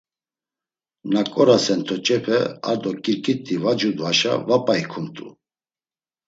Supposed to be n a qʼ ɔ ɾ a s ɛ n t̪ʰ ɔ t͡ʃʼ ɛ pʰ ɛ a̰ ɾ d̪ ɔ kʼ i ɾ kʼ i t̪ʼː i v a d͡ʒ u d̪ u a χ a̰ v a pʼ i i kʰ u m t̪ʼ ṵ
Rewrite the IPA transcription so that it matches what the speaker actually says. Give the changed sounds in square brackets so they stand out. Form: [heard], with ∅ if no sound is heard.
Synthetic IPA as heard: n a [kʼ] ɔ ɾ a s ɛ n t̪ʰ ɔ t͡ʃʼ ɛ pʰ ɛ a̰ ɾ d̪ ɔ kʼ i ɾ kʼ i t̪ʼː i v a d͡ʒ u d̪ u a [ʃ] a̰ v a pʼ [a] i kʰ u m t̪ʼ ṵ